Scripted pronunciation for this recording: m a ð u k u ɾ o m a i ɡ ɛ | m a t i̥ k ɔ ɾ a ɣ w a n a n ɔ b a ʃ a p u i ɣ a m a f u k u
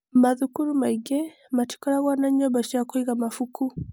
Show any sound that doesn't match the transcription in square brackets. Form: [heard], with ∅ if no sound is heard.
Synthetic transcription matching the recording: m a ð u k u ɾ [u] m a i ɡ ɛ | m a t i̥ k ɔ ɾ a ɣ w a n a [ɲ] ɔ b a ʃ a [k] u i ɣ a m a f u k u